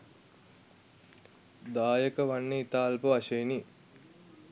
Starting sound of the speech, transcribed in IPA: d̪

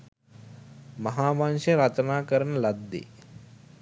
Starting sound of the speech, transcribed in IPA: m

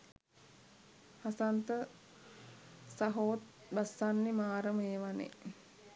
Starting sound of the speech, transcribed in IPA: h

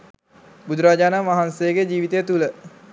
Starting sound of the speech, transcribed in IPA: b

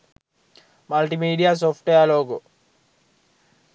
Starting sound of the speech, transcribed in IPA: m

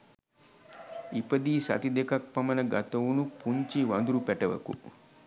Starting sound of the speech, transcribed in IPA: i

